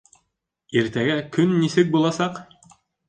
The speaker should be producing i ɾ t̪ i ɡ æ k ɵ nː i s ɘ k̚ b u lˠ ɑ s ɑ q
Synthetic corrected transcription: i ɾ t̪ æ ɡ æ k ɵ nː i s ɘ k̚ b u lˠ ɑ s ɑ q